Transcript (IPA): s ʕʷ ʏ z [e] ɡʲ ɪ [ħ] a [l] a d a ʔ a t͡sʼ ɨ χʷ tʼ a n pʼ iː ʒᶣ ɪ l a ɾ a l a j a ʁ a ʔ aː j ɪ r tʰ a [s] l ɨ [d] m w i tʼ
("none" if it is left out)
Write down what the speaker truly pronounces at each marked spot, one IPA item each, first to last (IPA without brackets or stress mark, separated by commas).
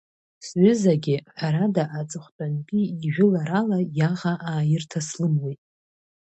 a, ħ, ɾ, s, none